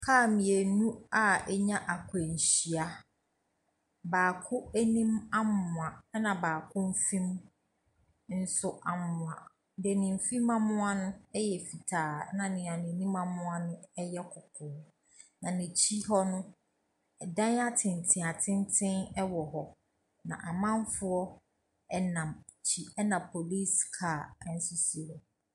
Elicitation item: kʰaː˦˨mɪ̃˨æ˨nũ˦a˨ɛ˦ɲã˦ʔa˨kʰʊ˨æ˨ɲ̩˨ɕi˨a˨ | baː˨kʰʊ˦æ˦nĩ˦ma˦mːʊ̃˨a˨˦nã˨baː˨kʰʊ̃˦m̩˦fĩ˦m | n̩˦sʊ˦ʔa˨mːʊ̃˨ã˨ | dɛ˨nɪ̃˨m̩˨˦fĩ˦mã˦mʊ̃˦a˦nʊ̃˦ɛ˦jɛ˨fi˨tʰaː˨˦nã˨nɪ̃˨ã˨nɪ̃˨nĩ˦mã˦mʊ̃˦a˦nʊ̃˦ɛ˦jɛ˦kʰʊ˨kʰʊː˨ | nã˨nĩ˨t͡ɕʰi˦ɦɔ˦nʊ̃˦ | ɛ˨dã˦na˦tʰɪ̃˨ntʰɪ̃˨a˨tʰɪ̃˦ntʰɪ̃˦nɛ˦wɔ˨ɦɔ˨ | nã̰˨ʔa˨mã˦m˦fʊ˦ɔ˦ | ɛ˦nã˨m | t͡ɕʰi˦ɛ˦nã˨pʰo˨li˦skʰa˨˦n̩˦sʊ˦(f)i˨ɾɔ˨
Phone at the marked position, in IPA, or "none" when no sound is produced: s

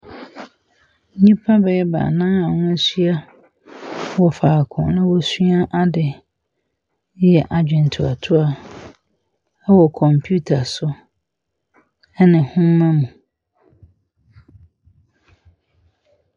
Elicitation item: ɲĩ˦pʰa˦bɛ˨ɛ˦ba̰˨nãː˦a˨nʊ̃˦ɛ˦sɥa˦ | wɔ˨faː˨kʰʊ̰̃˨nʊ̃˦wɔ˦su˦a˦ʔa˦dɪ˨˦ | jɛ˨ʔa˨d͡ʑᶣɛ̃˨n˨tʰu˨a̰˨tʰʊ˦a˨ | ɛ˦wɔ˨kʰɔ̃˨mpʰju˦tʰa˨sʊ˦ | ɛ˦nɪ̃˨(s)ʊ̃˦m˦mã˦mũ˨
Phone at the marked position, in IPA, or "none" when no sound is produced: h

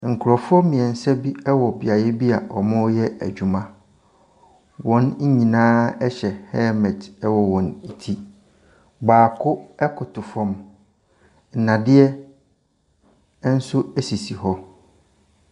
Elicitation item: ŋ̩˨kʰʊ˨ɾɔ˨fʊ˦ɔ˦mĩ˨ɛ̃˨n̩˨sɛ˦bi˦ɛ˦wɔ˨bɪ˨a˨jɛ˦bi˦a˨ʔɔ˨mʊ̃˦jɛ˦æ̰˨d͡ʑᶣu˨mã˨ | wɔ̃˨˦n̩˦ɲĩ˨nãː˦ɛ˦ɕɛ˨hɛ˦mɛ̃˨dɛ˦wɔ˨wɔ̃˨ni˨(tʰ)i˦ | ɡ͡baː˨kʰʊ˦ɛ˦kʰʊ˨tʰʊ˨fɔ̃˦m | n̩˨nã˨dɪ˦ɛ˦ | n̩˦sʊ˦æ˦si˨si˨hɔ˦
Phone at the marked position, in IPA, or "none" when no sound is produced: tʰ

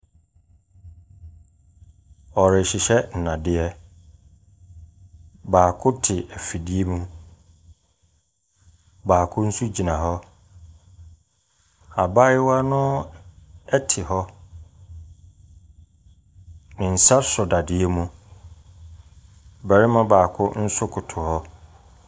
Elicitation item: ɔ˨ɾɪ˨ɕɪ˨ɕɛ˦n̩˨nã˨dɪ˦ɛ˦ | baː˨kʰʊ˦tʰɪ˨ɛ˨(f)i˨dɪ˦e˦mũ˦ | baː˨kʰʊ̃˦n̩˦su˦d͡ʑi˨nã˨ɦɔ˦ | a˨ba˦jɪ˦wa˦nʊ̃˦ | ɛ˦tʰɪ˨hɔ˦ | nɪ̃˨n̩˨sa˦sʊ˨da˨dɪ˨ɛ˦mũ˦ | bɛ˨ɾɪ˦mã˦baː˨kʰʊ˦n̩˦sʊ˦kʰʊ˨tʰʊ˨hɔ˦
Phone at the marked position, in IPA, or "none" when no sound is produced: f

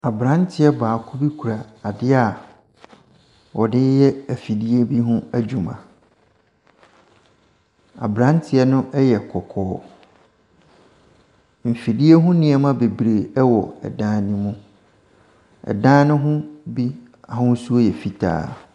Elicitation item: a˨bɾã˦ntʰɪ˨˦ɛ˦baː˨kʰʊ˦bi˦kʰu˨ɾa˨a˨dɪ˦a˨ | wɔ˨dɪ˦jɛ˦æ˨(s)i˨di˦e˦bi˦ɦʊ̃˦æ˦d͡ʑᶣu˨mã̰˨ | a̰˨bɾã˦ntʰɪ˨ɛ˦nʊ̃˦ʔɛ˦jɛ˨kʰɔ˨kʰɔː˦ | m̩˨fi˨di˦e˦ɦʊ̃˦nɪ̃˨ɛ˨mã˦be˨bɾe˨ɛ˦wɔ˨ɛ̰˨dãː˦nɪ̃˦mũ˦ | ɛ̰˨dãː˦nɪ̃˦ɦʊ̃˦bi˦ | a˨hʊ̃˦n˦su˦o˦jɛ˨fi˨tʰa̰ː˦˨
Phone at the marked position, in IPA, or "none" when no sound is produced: f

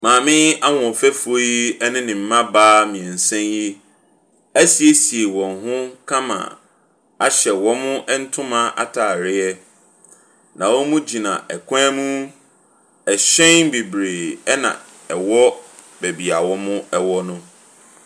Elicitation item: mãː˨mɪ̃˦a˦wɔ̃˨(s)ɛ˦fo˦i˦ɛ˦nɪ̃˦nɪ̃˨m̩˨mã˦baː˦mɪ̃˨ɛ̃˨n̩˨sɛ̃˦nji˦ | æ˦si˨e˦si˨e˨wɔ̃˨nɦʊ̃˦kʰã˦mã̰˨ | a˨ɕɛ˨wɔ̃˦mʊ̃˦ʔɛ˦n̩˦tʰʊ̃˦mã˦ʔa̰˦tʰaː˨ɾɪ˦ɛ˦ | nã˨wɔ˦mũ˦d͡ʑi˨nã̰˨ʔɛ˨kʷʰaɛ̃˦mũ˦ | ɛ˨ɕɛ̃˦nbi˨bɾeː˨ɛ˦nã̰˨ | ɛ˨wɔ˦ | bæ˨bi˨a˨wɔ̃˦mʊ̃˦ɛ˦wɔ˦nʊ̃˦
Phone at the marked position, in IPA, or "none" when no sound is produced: f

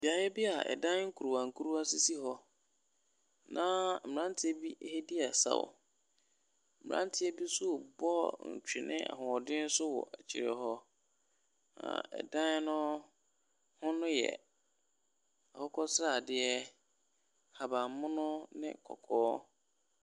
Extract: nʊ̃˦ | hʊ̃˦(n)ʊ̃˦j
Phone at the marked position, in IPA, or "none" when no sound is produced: n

